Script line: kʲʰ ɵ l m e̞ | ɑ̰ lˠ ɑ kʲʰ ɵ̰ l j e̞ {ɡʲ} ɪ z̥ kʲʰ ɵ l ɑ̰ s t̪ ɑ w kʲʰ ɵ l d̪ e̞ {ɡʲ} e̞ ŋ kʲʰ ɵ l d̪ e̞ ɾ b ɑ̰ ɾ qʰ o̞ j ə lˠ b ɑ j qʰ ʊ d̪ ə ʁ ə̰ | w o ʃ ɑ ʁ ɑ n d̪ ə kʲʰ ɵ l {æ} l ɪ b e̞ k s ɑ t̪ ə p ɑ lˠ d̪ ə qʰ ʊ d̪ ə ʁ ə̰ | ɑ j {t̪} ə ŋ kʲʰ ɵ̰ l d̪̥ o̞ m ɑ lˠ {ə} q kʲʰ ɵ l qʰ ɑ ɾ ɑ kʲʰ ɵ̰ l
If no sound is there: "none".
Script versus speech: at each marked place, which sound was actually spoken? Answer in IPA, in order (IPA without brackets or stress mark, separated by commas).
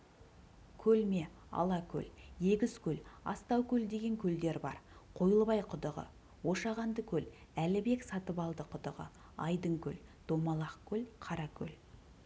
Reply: ɡʲ, ɡʲ, æ, d̪, ɑ